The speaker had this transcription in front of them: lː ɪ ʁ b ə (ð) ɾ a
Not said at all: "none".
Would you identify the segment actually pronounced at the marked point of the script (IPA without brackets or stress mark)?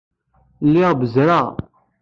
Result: z